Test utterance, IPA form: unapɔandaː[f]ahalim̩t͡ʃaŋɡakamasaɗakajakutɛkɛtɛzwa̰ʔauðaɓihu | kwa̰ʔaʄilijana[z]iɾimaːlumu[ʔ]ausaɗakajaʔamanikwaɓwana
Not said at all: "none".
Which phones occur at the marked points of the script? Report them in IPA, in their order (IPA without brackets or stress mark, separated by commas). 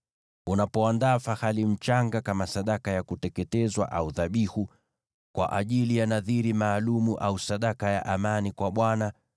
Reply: f, ð, ʔ